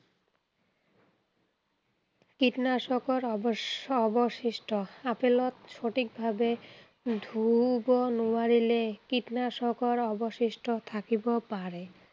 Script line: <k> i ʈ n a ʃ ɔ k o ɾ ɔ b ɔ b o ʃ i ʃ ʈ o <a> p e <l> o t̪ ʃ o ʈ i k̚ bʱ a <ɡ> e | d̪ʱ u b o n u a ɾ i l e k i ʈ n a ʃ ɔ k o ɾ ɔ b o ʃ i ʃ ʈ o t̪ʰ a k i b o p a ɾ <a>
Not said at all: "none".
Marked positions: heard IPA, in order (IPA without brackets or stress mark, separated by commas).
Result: k, a, l, b, e